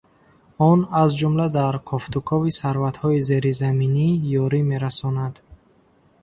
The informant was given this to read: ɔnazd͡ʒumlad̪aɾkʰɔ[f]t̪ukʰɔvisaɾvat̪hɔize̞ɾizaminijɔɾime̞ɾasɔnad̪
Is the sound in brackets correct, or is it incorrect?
correct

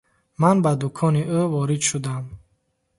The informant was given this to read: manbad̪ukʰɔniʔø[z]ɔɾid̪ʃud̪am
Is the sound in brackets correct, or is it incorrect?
incorrect: v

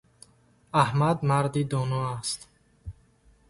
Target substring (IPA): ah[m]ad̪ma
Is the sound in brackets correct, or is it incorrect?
correct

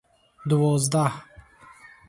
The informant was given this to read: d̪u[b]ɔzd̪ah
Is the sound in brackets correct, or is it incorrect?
incorrect: v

